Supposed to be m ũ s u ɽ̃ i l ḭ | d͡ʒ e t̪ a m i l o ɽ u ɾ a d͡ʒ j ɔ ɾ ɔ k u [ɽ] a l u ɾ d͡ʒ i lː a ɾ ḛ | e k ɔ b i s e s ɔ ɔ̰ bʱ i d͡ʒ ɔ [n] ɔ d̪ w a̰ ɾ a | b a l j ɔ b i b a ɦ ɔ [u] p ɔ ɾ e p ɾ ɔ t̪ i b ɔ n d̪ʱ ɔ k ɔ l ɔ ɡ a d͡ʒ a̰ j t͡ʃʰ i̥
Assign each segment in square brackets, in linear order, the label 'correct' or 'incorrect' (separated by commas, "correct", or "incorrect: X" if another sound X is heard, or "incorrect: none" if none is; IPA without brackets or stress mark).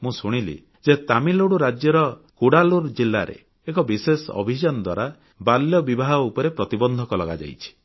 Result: correct, correct, correct